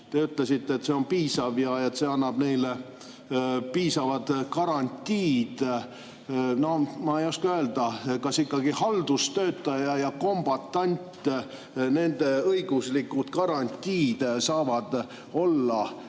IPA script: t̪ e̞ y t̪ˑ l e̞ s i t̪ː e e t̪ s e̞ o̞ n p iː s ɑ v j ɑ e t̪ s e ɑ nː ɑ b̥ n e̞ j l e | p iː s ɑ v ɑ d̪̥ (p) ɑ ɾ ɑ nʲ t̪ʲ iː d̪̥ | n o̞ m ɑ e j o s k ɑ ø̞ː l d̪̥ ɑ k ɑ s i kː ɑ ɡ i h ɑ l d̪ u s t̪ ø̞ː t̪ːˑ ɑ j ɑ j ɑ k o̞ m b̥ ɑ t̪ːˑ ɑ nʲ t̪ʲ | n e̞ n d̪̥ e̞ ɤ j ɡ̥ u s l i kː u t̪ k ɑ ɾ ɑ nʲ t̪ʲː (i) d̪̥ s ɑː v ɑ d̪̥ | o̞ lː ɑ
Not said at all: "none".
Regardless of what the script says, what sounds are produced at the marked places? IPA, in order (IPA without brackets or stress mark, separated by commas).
k, iː